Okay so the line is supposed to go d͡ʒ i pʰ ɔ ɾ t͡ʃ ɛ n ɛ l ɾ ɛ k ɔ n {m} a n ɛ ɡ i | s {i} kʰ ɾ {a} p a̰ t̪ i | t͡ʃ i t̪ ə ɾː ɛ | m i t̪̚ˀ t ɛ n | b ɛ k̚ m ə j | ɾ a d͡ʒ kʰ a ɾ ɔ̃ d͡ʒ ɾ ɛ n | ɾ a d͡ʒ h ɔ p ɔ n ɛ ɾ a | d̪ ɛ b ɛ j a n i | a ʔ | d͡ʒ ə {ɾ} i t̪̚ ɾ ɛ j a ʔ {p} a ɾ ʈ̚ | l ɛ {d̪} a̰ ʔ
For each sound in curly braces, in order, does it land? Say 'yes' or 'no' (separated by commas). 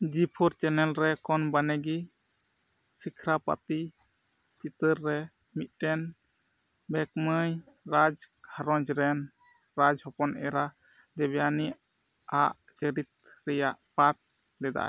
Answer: no, yes, yes, yes, yes, yes